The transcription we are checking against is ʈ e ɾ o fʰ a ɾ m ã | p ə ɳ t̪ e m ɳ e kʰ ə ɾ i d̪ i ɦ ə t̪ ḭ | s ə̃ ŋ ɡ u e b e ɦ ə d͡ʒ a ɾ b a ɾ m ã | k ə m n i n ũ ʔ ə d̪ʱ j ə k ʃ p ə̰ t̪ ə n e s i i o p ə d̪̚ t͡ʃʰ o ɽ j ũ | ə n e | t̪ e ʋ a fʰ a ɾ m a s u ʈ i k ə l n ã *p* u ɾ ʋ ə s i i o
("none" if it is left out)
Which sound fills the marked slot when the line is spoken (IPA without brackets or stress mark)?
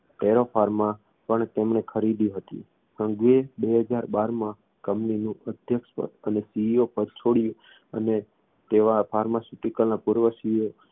p